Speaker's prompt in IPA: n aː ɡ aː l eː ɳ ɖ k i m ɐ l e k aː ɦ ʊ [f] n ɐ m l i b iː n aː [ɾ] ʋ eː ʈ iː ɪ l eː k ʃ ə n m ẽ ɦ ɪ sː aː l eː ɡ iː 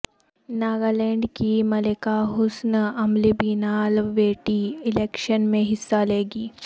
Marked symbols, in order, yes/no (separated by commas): no, no